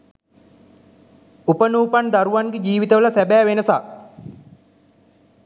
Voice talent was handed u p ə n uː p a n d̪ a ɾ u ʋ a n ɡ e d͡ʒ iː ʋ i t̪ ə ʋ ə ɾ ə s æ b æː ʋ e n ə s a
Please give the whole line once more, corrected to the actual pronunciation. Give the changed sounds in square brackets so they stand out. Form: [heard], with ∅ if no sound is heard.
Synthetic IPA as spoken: u p ə n uː p a n d̪ a ɾ u ʋ a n ɡ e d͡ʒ iː ʋ i t̪ ə ʋ ə [l] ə s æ b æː ʋ e n ə s a